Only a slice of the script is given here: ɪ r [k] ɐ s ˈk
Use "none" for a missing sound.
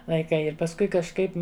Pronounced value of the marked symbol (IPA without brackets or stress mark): p